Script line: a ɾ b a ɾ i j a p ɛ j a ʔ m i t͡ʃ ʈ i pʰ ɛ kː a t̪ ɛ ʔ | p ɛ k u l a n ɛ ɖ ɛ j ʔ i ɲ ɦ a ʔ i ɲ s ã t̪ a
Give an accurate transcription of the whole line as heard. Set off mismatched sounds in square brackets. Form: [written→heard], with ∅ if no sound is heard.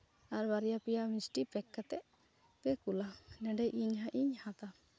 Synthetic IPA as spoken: a ɾ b a ɾ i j a p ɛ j a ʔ m i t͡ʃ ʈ i [pʰ→p] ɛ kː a t̪ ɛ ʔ | p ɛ k u l a n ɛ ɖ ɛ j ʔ i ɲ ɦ a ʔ i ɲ [s→h] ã t̪ a